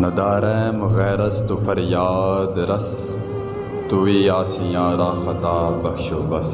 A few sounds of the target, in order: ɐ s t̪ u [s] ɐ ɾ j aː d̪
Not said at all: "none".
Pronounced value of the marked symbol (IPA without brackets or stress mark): f